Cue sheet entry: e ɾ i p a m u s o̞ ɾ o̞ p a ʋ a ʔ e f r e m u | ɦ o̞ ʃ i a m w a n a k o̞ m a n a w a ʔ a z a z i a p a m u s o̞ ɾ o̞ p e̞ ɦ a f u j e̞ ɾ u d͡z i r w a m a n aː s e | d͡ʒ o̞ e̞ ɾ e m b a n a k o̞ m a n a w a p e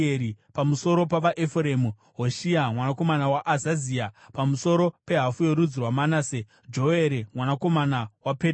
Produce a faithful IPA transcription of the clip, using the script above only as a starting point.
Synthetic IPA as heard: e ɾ i p a m u s o̞ ɾ o̞ p a ʋ a ʔ e f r e m u | ɦ o̞ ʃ i a m w a n a k o̞ m a n a w a ʔ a z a z i a p a m u s o̞ ɾ o̞ p e̞ ɦ a f u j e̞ ɾ u d͡z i r w a m a n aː s e | d͡ʒ o̞ e̞ ɾ e m w a n a k o̞ m a n a w a p e